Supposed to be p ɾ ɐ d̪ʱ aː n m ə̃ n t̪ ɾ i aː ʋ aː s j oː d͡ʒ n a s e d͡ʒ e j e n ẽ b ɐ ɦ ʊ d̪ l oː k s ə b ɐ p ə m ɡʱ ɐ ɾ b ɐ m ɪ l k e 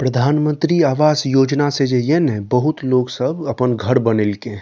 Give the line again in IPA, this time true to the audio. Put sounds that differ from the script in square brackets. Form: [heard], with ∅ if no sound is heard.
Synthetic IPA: p ɾ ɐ d̪ʱ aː n m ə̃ n t̪ ɾ i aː ʋ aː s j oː d͡ʒ n a s e d͡ʒ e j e n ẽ b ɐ ɦ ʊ [t̪] l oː [ɡ] s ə b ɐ p ə [n] ɡʱ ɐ ɾ b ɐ [n] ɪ l k e